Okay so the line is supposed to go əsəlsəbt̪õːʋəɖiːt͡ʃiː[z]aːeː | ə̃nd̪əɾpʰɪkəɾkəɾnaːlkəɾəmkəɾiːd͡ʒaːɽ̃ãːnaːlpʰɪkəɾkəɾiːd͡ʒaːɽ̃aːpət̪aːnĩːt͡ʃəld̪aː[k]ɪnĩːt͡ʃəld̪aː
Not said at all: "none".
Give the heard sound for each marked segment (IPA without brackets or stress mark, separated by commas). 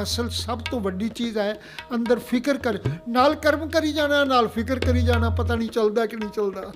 z, k